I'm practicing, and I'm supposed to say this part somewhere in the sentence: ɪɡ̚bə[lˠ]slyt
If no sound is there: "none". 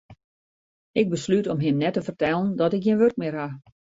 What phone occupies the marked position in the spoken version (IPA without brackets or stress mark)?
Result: none